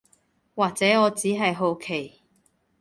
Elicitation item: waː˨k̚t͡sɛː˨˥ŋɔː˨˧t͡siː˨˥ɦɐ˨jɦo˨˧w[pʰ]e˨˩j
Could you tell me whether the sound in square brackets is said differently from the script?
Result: yes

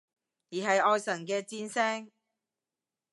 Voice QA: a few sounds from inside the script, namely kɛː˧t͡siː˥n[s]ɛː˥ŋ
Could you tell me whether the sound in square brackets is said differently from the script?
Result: no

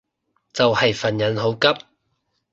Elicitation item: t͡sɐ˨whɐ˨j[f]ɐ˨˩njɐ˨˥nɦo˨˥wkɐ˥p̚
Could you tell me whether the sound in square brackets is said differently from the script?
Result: no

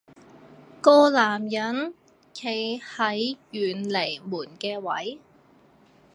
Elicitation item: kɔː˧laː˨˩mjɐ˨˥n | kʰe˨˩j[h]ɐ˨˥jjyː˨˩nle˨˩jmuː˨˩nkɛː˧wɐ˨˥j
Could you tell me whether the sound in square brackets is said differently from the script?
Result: no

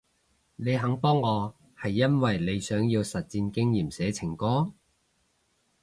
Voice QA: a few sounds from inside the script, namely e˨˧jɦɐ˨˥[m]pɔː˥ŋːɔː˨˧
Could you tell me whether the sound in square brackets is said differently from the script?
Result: yes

